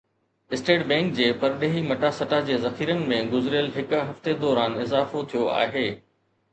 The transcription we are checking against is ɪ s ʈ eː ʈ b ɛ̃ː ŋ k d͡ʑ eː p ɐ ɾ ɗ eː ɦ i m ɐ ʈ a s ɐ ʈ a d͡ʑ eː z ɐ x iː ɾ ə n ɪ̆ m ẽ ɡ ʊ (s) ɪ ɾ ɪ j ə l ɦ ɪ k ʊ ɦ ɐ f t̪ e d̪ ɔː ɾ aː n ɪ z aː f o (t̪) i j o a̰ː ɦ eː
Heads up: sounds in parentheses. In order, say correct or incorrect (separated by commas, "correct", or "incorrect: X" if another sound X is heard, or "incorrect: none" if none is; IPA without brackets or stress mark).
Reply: incorrect: z, incorrect: t̪ʰ